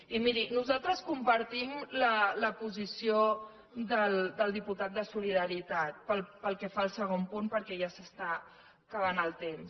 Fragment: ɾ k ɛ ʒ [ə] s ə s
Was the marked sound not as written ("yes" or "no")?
yes